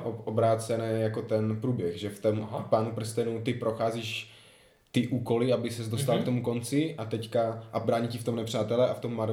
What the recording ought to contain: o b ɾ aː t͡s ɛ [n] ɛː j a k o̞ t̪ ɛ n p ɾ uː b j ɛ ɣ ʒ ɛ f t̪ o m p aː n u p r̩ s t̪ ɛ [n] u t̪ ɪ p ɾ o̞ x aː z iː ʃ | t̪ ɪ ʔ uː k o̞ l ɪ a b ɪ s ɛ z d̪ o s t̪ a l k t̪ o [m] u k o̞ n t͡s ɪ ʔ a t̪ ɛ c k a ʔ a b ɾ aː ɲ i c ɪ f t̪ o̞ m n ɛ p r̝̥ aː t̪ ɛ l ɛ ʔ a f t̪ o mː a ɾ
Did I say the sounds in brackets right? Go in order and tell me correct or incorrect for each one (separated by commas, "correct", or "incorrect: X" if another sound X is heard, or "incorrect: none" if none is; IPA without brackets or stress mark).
correct, correct, correct